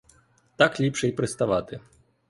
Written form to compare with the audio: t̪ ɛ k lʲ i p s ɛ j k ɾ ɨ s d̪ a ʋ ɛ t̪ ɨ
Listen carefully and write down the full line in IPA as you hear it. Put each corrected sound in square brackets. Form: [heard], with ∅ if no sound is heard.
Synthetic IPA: t̪ [a] k lʲ i p [ʂ] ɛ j [p] ɾ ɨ s [t̪] a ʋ [a] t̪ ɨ